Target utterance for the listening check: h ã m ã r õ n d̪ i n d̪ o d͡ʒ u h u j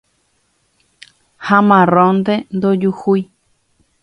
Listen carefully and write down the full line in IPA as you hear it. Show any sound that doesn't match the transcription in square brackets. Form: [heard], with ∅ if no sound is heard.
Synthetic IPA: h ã m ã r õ n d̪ [e] n d̪ o d͡ʒ u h u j